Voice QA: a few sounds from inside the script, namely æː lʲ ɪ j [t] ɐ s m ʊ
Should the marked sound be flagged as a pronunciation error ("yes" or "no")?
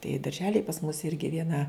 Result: yes